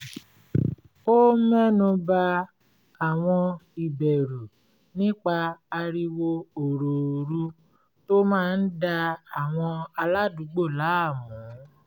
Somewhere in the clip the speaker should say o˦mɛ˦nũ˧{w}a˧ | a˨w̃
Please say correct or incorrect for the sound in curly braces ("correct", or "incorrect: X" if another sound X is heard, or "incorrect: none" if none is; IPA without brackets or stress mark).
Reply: incorrect: b